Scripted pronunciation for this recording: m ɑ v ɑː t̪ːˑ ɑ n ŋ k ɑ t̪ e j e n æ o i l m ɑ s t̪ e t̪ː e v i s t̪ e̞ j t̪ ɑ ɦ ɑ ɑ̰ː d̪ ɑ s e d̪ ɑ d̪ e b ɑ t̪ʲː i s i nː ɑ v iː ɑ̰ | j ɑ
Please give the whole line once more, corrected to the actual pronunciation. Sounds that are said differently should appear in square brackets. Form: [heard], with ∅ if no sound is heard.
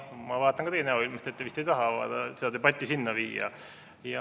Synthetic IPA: m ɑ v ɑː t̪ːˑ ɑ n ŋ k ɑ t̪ e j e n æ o i l m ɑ s t̪ e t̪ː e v i s t̪ e̞ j t̪ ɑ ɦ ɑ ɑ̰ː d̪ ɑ s e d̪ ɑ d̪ e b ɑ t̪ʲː i s i nː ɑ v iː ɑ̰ | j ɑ